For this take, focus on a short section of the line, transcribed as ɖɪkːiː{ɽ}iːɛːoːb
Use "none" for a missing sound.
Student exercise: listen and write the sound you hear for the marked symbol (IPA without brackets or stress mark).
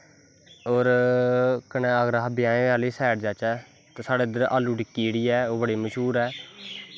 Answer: ɽ